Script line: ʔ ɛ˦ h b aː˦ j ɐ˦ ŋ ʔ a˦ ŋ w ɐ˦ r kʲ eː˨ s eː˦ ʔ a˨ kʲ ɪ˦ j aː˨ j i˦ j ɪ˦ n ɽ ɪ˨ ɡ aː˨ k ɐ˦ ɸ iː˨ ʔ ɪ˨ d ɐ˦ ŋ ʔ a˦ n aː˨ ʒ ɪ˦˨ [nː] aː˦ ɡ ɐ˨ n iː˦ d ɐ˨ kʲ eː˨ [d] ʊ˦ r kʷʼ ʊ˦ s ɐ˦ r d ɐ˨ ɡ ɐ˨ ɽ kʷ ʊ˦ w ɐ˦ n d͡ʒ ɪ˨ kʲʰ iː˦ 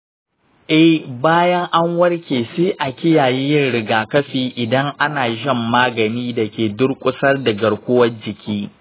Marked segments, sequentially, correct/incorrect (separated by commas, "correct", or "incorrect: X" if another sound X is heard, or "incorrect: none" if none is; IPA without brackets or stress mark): incorrect: mː, correct